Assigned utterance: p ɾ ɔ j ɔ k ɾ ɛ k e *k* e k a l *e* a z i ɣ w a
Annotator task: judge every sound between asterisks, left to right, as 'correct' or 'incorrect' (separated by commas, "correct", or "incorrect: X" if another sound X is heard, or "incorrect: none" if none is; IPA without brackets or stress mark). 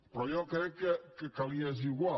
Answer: correct, incorrect: i